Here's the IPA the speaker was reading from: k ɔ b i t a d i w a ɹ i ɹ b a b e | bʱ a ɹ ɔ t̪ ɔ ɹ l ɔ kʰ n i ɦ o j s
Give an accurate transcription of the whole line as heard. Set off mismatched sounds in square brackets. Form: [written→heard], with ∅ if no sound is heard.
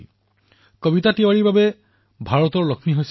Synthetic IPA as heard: k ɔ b i t a [d→t] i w a ɹ i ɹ b a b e | bʱ a ɹ ɔ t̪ ɔ ɹ l ɔ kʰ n i ɦ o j s